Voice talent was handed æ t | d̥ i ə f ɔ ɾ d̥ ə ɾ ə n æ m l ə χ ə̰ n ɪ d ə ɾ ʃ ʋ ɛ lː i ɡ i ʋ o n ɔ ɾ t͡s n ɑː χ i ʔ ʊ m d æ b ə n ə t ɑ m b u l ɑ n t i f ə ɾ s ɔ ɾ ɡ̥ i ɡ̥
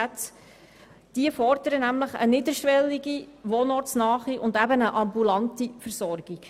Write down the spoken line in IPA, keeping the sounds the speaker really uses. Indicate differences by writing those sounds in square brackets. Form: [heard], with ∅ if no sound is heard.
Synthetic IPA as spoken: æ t | d̥ i ə f ɔ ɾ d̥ ə ɾ ə n æ m l ə χ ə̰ n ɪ d ə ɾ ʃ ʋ ɛ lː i ɡ i ʋ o n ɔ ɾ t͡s n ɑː χ i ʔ ʊ [n] d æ b ə n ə [ʔ] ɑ m b u l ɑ n t i f ə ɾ s ɔ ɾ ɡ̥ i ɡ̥